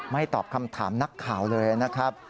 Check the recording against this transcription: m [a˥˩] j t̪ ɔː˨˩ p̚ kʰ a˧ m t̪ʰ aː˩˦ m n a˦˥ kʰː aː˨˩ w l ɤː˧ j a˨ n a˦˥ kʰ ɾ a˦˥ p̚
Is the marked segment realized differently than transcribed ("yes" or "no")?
no